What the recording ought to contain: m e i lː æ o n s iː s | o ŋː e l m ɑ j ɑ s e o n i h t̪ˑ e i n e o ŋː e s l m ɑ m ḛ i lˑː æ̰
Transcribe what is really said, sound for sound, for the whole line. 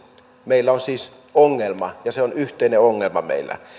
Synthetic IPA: m e i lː æ o n s iː s | o ŋː e l m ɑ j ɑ s e o n y h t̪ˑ e i n e o ŋː e l m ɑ m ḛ i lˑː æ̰